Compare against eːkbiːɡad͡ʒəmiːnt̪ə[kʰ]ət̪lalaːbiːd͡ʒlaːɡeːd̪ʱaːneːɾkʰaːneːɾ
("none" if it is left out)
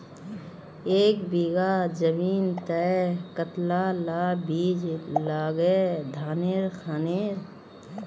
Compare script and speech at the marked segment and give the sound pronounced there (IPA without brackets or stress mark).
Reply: k